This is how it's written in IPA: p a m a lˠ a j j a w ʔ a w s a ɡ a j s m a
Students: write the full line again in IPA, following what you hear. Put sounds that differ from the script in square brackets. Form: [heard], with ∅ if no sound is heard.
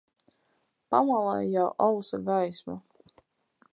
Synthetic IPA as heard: p a m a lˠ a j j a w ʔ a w s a ɡ a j s m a